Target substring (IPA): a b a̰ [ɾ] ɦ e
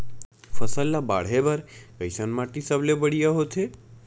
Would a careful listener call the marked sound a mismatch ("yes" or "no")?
yes